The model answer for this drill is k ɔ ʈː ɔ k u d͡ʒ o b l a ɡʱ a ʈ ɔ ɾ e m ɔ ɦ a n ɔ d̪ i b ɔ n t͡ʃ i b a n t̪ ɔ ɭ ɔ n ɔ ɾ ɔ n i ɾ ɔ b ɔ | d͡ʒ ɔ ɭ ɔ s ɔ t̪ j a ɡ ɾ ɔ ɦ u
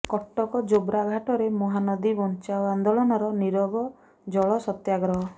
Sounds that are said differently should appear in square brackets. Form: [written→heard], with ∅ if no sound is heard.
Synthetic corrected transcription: k ɔ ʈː ɔ k [u→ɔ] d͡ʒ o b [l→ɾ] a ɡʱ a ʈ ɔ ɾ e m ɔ ɦ a n ɔ d̪ i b ɔ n t͡ʃ [i→a] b a n [t̪→d̪] ɔ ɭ ɔ n ɔ ɾ ɔ n i ɾ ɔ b ɔ | d͡ʒ ɔ ɭ ɔ s ɔ t̪ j a ɡ ɾ ɔ ɦ [u→ɔ]